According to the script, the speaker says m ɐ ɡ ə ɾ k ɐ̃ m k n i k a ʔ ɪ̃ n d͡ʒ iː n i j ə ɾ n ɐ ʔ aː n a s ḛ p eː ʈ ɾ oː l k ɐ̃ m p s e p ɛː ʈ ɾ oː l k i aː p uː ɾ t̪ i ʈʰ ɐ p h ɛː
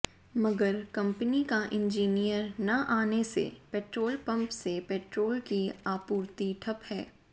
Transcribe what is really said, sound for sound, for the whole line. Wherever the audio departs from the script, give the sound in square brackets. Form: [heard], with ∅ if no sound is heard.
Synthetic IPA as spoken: m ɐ ɡ ə ɾ k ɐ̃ m [p] n i k a ʔ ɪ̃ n d͡ʒ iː n i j ə ɾ n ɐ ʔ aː n [e] s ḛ p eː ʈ ɾ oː l [p] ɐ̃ m p s e p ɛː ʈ ɾ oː l k i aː p uː ɾ t̪ i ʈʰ ɐ p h ɛː